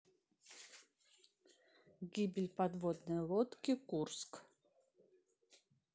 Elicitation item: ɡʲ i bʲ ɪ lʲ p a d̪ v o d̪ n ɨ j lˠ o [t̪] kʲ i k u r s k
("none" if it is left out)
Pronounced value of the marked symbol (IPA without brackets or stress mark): t̪